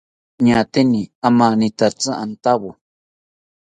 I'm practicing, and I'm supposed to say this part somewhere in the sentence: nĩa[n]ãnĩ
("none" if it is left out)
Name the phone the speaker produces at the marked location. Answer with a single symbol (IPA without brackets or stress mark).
m